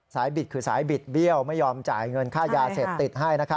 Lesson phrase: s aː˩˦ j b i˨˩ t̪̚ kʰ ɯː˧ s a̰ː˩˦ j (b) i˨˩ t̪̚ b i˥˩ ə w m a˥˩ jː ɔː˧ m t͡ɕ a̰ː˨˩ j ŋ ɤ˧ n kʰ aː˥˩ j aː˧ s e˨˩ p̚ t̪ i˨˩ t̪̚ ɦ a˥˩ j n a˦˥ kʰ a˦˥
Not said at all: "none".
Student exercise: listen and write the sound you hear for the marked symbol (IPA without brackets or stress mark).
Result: b